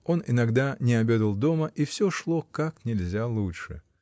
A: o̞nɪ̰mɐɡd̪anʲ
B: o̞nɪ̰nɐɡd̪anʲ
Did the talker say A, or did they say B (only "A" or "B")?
B